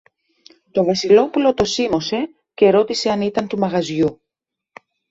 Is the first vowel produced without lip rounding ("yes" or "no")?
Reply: no